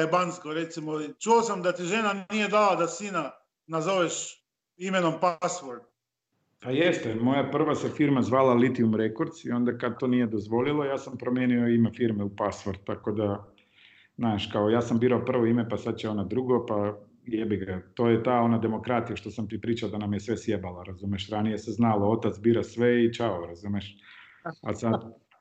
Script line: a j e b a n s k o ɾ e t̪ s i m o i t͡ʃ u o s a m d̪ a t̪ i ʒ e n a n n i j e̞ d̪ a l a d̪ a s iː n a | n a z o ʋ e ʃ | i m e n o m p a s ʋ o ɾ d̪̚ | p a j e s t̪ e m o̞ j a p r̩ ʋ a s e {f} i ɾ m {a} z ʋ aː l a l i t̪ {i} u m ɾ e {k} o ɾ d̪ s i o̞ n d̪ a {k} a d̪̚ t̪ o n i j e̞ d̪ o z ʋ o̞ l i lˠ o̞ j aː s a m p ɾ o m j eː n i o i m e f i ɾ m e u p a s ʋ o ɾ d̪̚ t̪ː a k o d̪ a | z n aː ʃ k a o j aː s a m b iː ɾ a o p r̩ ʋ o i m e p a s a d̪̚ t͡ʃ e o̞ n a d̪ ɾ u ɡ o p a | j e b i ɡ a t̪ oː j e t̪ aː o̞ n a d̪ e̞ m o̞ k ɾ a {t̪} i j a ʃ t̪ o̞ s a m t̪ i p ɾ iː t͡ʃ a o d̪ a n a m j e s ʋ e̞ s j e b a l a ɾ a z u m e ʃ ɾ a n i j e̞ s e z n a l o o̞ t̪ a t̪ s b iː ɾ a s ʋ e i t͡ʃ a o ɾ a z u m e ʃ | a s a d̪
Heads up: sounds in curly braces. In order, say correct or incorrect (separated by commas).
correct, correct, correct, correct, correct, correct